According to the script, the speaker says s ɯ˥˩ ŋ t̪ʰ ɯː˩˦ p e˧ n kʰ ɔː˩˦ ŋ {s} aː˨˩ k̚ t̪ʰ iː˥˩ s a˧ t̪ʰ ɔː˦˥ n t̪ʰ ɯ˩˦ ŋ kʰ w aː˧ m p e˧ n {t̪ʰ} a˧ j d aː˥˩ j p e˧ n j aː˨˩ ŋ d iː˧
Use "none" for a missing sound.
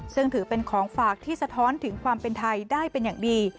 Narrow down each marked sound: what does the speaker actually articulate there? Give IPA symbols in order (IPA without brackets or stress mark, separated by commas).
f, t̪ʰ